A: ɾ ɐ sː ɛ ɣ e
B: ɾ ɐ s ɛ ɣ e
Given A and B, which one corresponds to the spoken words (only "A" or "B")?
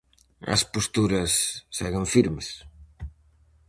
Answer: A